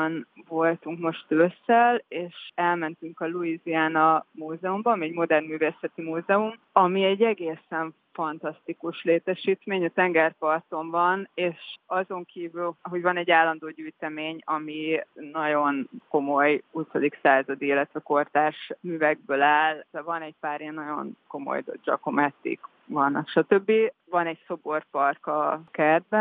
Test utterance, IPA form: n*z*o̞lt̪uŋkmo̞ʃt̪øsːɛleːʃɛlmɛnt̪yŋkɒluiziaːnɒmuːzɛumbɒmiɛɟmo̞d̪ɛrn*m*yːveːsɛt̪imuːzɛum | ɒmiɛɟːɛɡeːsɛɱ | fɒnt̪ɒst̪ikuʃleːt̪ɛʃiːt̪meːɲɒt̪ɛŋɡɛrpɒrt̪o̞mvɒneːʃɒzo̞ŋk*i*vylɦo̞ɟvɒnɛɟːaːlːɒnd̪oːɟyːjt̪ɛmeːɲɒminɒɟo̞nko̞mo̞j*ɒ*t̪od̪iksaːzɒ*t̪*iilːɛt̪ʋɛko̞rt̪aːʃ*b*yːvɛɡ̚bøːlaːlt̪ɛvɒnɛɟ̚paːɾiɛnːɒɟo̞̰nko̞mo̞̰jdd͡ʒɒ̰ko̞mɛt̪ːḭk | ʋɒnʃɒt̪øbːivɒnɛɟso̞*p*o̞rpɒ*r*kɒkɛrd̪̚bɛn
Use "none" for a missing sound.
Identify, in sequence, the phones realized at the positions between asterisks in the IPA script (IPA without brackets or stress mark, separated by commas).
v, m, iː, u, d̪, m, b, r